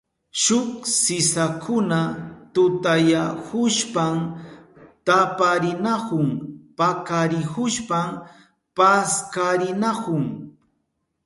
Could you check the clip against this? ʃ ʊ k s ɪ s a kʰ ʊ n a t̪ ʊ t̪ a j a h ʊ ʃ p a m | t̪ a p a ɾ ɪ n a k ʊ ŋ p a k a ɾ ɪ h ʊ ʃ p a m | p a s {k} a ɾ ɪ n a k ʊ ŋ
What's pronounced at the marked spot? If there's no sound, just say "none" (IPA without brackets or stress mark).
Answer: k